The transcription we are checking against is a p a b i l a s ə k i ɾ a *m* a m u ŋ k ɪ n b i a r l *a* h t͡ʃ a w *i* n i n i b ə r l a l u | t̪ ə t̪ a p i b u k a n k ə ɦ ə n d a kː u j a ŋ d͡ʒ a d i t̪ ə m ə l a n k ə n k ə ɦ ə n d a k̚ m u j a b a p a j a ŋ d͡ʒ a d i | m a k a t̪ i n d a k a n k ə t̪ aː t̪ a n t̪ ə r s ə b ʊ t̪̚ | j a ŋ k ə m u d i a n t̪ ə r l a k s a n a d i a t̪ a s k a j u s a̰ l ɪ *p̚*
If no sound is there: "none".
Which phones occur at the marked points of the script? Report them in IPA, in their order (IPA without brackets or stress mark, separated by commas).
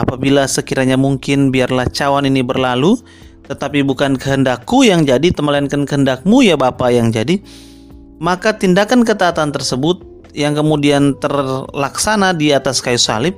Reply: ɲ, a, a, p̚